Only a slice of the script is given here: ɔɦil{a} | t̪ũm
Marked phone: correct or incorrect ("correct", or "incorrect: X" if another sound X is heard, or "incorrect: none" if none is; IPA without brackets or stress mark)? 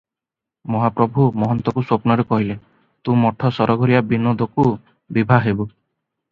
incorrect: e